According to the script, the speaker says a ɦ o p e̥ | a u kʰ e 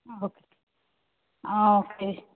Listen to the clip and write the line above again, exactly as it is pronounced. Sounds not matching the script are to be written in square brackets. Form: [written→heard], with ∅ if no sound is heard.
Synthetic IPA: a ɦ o [p→k] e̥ | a [u→o] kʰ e